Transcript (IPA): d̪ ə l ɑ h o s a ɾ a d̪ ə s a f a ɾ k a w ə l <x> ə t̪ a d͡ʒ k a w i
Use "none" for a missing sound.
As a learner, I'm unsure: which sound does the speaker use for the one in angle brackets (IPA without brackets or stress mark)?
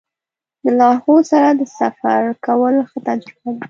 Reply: x